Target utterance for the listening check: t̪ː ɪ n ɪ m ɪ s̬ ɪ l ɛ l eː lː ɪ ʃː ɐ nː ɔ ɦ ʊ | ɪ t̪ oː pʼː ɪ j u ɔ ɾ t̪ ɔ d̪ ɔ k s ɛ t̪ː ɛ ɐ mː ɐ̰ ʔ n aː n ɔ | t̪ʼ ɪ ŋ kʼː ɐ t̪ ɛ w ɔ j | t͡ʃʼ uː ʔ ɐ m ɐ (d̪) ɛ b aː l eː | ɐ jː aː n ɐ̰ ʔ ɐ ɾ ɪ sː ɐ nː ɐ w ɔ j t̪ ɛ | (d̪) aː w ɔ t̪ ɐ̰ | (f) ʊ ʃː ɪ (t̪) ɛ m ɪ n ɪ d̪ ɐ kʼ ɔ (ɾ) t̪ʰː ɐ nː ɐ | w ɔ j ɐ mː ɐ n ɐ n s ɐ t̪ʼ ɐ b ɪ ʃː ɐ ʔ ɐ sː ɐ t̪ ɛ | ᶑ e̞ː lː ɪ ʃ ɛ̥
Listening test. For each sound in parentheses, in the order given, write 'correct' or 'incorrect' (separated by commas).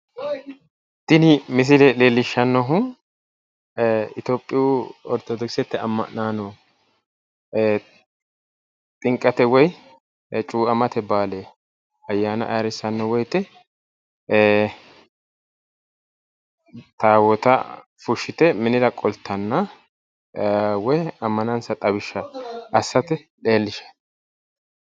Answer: incorrect, incorrect, correct, correct, incorrect